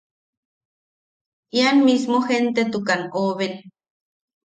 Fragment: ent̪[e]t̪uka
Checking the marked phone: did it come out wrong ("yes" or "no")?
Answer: no